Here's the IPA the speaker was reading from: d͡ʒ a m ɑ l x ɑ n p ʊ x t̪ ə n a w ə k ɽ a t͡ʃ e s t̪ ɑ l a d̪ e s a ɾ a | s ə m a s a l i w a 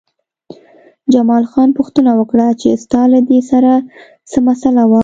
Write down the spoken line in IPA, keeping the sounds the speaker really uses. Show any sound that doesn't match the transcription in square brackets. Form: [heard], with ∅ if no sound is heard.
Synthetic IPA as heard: d͡ʒ a m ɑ l x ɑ n p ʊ x t̪ ə n a w ə k ɽ a t͡ʃ e s t̪ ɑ l a d̪ e s a ɾ a | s ə m a s a l [a] w a